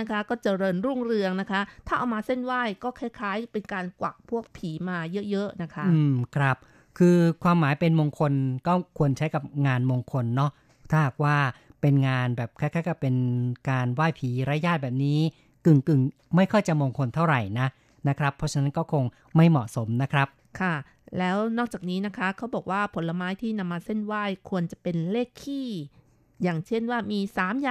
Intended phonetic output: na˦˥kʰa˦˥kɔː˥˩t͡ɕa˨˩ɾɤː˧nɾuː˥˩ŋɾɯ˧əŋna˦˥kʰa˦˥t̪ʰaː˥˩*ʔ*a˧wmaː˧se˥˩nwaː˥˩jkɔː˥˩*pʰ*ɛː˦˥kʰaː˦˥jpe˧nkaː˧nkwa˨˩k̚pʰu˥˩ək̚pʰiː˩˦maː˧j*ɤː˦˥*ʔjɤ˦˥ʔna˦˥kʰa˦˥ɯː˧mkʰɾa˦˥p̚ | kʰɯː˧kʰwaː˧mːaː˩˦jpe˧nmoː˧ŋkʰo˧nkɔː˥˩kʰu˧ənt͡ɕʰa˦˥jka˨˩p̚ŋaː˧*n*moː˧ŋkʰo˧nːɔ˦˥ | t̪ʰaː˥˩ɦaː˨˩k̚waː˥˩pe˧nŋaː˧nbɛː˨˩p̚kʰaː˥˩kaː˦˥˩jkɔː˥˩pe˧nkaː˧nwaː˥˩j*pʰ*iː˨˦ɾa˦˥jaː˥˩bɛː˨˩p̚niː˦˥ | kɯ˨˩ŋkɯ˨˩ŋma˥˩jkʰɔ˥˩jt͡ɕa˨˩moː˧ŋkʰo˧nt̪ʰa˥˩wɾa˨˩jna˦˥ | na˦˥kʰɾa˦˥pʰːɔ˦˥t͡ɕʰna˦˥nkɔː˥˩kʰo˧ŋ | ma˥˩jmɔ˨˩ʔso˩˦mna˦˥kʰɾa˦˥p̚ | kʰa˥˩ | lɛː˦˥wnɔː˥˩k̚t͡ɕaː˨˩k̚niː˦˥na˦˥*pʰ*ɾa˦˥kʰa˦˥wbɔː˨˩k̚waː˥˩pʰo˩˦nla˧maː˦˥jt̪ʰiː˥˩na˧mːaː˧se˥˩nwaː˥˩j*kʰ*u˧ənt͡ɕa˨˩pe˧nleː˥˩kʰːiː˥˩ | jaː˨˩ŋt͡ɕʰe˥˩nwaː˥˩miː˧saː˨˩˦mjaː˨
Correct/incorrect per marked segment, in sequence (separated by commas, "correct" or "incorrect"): correct, incorrect, incorrect, correct, correct, incorrect, correct